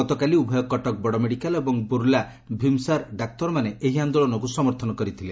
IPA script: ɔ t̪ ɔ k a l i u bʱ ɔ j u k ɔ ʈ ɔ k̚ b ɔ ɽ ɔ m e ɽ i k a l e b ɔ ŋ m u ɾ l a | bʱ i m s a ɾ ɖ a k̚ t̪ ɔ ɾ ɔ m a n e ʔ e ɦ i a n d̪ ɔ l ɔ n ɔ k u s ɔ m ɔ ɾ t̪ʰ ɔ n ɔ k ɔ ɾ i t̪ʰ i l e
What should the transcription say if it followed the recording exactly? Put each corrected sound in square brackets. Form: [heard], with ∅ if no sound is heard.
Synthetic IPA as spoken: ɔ t̪ ɔ k a l i u bʱ ɔ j [ɔ] k ɔ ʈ ɔ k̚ b ɔ ɽ ɔ m e ɽ i k a l e b ɔ ŋ [b] u ɾ l a | bʱ i m s a ɾ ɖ a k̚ t̪ ɔ ɾ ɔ m a n e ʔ e ɦ i a n d̪ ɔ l ɔ n ɔ k u s ɔ m ɔ ɾ t̪ʰ ɔ n ɔ k ɔ ɾ i t̪ʰ i l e